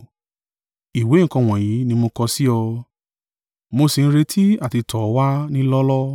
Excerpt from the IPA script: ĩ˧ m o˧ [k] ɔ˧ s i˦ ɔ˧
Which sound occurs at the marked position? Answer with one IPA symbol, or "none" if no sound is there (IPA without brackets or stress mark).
k